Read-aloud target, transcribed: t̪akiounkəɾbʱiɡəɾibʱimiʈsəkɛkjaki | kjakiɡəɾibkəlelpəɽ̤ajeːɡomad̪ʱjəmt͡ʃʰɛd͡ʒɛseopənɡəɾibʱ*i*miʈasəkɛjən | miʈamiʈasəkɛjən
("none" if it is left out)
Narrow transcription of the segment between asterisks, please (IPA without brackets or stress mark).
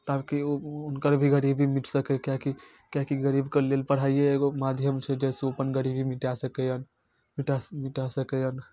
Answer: i